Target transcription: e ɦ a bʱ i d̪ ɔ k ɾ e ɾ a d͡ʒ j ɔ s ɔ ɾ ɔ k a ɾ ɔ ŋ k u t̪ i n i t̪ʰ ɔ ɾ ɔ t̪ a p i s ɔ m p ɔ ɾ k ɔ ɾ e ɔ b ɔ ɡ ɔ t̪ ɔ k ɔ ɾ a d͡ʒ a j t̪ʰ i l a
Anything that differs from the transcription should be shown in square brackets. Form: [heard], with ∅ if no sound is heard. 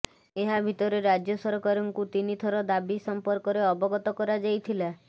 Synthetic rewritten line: e ɦ a bʱ i [t̪] ɔ [∅] ɾ e ɾ a d͡ʒ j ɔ s ɔ ɾ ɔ k a ɾ ɔ ŋ k u t̪ i n i t̪ʰ ɔ ɾ ɔ [d̪] a [b] i s ɔ m p ɔ ɾ k ɔ ɾ e ɔ b ɔ ɡ ɔ t̪ ɔ k ɔ ɾ a d͡ʒ a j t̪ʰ i l a